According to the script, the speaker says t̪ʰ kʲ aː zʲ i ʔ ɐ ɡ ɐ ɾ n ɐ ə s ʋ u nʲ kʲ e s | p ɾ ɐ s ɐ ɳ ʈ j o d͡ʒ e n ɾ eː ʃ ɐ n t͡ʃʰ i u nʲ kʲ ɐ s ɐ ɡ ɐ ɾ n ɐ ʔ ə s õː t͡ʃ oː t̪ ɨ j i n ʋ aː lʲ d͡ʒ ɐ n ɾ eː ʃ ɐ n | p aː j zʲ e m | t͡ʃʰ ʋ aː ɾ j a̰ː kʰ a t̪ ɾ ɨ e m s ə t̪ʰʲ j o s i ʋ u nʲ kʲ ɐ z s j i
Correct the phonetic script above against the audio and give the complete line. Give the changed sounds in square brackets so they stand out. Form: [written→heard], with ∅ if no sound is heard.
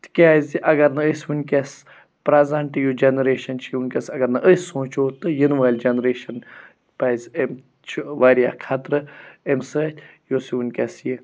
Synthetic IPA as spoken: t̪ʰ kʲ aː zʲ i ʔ ɐ ɡ ɐ ɾ n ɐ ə s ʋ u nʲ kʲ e s | p ɾ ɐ [s→z] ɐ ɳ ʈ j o d͡ʒ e n ɾ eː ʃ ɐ n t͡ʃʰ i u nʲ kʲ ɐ s ɐ ɡ ɐ ɾ n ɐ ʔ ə s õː t͡ʃ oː t̪ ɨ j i n ʋ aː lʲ d͡ʒ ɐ n ɾ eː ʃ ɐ n | p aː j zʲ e m | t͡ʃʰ ʋ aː ɾ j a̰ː kʰ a t̪ ɾ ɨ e m s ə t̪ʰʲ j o s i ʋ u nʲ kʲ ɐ [z→∅] s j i